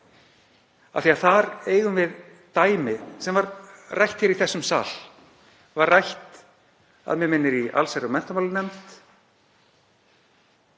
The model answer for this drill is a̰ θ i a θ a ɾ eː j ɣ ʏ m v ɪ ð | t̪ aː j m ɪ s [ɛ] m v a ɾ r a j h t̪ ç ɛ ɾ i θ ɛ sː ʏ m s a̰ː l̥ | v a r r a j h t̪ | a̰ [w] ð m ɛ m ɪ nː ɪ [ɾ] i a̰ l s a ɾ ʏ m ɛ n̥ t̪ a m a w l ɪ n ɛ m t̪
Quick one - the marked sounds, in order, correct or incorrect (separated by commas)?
correct, incorrect, correct